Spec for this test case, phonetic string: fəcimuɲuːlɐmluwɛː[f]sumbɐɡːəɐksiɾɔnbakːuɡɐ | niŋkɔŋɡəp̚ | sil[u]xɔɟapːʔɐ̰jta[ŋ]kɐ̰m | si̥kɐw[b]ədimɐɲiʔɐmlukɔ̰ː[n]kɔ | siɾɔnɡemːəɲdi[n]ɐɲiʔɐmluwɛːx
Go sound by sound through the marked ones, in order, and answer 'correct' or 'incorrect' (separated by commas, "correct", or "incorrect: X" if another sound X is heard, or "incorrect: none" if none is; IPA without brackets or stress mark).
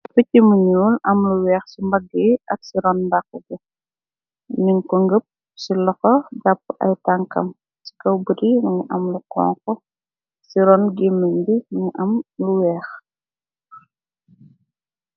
incorrect: x, incorrect: ɔ, correct, correct, incorrect: ŋ, incorrect: m